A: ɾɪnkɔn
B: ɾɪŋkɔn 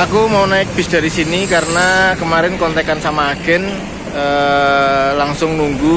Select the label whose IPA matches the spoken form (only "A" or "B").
A